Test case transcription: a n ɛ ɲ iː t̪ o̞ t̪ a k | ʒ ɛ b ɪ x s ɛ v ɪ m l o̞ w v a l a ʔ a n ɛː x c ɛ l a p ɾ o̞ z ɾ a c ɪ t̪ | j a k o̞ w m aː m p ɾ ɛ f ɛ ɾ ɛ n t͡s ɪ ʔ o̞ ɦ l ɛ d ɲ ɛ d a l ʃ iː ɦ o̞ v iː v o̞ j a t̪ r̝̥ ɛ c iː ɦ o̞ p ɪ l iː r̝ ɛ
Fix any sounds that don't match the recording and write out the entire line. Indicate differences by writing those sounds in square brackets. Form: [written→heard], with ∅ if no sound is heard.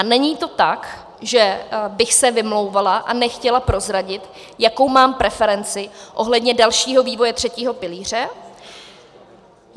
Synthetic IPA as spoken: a n ɛ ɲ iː t̪ o̞ t̪ a k | ʒ ɛ b ɪ x s ɛ v ɪ m l o̞ w v a l a ʔ a n [ɛː→ɛ] x c ɛ l a p ɾ o̞ z ɾ a [c→ɟ] ɪ t̪ | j a k o̞ w m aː m p ɾ ɛ f ɛ ɾ ɛ n t͡s ɪ ʔ o̞ ɦ l ɛ d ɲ ɛ d a l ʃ iː ɦ o̞ v iː v o̞ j [a→ɛ] t̪ r̝̥ ɛ c iː ɦ o̞ p ɪ l iː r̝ ɛ